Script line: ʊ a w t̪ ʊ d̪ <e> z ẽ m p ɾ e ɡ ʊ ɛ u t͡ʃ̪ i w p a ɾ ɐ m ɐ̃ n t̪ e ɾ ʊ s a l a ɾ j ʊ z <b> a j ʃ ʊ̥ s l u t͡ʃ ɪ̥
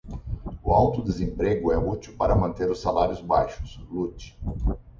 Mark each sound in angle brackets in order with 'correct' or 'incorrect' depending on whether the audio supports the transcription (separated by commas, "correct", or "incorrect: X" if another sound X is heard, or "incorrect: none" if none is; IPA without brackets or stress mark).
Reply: correct, correct